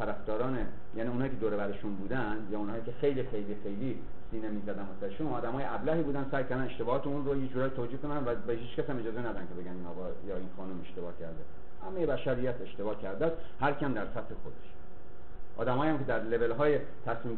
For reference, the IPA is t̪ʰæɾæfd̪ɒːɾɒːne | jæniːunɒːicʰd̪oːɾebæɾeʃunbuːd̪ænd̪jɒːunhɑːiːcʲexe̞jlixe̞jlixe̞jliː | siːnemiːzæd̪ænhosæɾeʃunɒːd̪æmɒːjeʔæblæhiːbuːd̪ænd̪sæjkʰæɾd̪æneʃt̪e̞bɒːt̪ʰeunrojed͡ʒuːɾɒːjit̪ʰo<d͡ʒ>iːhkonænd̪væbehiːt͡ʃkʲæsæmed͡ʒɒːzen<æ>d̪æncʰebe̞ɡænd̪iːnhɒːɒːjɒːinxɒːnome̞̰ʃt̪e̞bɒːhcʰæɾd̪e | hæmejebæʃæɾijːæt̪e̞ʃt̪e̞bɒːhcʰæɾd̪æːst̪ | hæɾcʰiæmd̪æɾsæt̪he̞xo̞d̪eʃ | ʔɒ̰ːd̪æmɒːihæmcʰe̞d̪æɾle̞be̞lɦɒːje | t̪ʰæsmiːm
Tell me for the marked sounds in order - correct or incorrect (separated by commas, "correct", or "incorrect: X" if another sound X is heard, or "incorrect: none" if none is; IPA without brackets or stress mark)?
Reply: correct, correct